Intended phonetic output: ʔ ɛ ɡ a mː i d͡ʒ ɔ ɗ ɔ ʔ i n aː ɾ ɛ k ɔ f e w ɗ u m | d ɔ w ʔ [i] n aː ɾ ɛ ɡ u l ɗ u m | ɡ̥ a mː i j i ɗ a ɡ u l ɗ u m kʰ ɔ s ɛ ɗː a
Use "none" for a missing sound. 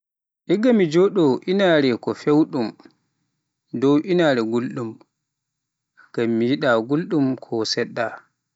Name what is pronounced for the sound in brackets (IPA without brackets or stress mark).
i